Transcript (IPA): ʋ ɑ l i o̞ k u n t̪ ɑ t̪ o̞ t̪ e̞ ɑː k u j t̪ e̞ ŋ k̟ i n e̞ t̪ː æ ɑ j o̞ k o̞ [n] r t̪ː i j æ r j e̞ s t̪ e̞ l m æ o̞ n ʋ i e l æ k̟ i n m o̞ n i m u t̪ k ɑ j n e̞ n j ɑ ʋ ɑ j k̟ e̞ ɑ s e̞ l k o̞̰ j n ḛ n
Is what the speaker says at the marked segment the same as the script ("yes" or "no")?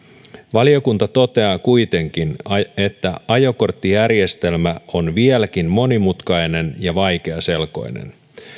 no